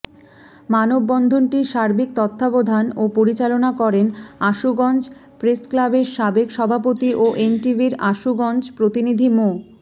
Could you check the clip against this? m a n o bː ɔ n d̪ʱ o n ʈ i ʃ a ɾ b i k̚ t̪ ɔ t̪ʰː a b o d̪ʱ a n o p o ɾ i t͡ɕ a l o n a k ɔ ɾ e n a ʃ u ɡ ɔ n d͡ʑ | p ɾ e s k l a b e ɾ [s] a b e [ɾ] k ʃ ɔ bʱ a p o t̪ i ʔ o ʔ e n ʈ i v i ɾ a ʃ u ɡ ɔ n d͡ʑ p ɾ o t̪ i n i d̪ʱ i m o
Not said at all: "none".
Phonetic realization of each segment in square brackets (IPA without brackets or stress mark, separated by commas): ʃ, none